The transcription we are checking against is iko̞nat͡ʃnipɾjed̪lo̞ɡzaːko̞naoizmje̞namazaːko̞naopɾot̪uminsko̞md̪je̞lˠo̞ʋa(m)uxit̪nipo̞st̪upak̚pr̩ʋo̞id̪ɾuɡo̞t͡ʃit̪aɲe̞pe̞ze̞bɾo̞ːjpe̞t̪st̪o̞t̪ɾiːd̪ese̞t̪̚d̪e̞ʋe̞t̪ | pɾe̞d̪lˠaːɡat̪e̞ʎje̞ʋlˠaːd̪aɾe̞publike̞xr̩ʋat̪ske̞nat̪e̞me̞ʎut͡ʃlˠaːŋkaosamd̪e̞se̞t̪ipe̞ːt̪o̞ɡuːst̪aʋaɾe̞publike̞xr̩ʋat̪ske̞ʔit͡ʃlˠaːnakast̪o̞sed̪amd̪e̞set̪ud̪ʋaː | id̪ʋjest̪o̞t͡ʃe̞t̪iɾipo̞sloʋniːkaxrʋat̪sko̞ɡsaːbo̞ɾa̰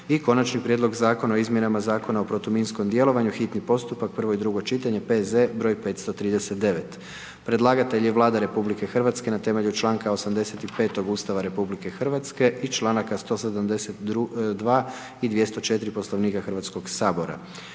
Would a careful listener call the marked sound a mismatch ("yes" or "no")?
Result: yes